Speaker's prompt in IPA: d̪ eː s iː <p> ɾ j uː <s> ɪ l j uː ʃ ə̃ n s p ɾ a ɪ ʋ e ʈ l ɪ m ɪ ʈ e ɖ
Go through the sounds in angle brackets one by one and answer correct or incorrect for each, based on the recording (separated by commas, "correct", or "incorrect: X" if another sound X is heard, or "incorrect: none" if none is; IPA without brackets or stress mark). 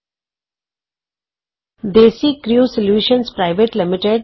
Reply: incorrect: k, correct